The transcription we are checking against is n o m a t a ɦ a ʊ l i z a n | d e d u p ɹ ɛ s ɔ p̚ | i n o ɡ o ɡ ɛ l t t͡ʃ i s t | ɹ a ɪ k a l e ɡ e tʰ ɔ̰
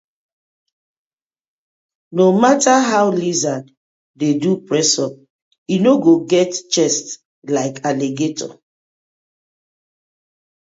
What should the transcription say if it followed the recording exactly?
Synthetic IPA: n o m a t a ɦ a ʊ l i z a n | d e d u p ɹ ɛ s ɔ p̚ | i n o ɡ o ɡ ɛ t t͡ʃ ɛ s t | l a ɪ k a l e ɡ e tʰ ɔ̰